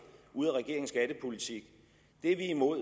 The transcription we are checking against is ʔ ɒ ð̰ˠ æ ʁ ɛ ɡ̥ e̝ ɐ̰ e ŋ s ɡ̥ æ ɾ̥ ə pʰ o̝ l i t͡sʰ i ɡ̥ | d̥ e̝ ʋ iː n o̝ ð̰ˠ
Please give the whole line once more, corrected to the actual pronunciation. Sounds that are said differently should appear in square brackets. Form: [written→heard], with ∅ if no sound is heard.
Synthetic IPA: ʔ [ɒ→u] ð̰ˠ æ ʁ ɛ ɡ̥ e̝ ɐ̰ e ŋ s ɡ̥ æ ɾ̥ ə pʰ o̝ l i t͡sʰ i ɡ̥ | d̥ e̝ ʋ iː [n→m] o̝ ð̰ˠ